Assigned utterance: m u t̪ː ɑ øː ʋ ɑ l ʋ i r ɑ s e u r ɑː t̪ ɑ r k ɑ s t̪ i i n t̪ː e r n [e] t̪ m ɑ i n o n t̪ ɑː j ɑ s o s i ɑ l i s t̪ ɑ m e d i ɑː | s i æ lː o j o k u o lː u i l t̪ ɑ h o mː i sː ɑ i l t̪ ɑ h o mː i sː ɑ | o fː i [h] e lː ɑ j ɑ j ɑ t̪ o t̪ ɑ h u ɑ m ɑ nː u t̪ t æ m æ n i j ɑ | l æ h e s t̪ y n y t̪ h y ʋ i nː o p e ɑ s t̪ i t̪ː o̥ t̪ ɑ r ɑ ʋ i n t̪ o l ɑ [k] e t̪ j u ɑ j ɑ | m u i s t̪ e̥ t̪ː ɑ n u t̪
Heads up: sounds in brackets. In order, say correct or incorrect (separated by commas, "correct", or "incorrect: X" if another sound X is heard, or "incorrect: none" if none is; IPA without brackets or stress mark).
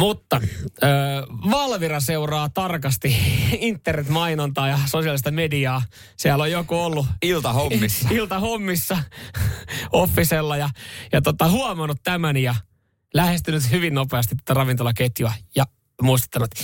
correct, incorrect: s, correct